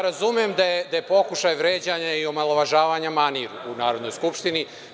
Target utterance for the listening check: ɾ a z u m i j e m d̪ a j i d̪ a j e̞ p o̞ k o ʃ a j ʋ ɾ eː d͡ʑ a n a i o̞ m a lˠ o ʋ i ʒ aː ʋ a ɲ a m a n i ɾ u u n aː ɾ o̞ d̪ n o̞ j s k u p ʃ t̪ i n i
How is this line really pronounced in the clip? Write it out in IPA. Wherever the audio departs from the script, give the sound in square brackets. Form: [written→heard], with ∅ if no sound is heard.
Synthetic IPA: ɾ a z u m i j e m d̪ a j [i→e] d̪ a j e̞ p o̞ k [o→u] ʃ a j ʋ ɾ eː d͡ʑ a [n→ɲ] a i o̞ m a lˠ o ʋ [i→a] ʒ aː ʋ a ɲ a m a n i ɾ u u n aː ɾ o̞ d̪ n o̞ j s k u p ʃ t̪ i n i